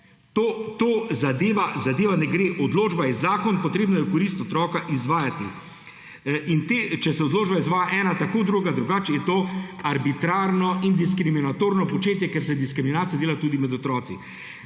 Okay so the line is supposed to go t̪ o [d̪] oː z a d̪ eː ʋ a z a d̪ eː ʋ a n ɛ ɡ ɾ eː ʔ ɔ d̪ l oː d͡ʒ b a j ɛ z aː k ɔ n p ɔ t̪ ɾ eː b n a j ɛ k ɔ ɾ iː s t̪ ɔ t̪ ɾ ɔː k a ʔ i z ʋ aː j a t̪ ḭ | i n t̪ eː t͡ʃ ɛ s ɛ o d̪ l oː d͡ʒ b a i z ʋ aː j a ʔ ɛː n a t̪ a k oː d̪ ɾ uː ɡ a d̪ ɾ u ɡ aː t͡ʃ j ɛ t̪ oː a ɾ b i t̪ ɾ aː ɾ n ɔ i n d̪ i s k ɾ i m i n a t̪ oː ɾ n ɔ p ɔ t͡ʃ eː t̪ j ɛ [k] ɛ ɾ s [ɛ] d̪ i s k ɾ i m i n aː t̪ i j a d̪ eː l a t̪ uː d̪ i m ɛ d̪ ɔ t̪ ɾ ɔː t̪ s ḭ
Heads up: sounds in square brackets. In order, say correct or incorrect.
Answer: incorrect: t̪, correct, correct

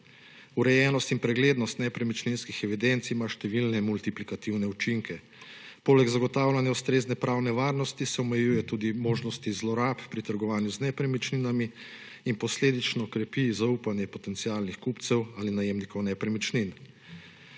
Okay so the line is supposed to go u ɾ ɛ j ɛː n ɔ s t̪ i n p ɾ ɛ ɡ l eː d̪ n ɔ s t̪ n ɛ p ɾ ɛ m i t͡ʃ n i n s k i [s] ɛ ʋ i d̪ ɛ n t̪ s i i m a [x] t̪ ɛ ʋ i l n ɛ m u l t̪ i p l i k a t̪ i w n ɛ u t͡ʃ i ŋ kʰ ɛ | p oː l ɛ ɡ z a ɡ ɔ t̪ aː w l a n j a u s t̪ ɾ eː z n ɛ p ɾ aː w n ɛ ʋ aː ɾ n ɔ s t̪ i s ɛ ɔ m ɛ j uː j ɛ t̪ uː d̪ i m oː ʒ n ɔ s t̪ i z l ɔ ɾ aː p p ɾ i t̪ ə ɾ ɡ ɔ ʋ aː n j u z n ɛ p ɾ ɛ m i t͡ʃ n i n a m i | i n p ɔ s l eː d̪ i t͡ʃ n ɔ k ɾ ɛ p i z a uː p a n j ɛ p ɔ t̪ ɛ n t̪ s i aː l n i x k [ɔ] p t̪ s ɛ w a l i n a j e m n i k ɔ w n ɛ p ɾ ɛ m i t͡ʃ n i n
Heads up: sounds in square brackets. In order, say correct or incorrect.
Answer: incorrect: x, incorrect: ʃ, incorrect: u

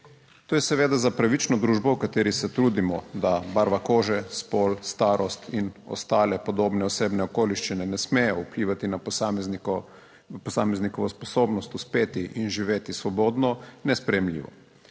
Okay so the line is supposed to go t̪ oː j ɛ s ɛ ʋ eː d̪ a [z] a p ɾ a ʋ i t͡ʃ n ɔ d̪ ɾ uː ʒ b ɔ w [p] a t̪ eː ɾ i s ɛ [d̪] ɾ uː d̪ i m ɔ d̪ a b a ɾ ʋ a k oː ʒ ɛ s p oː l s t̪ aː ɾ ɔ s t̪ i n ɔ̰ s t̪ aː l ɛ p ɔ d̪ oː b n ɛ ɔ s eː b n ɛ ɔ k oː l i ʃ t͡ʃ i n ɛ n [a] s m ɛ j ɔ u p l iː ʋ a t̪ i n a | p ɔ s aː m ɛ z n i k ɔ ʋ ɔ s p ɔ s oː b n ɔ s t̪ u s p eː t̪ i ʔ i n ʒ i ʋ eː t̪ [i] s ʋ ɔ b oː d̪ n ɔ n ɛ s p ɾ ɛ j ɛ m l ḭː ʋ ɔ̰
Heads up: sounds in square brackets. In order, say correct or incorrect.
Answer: correct, incorrect: k, incorrect: t̪, incorrect: ɛ, correct

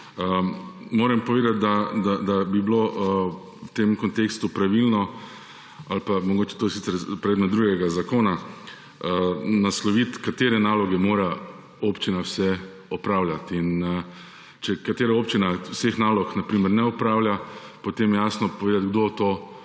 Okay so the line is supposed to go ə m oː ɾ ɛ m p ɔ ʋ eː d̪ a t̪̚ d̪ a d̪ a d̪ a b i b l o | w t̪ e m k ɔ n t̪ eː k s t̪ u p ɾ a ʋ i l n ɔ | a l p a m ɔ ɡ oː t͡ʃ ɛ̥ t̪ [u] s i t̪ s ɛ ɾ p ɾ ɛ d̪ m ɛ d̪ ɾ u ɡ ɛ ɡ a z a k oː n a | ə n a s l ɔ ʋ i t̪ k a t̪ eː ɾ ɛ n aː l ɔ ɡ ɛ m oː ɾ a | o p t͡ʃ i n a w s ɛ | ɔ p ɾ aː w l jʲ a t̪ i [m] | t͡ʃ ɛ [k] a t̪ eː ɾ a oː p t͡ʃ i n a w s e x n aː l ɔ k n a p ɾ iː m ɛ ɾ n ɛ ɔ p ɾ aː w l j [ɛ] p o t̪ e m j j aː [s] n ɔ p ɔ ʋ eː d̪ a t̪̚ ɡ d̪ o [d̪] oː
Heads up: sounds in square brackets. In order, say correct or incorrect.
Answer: incorrect: o, incorrect: n, correct, incorrect: a, correct, incorrect: t̪

